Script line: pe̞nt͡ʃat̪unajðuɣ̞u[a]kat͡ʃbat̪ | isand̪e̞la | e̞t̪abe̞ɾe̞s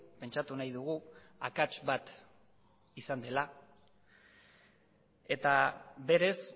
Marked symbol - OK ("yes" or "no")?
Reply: yes